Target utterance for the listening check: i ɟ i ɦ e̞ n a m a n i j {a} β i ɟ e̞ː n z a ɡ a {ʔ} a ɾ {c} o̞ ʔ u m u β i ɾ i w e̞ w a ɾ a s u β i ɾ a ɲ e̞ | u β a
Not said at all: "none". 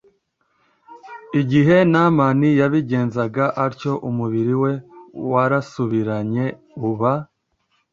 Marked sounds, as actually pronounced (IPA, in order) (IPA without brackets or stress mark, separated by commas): a, ʔ, c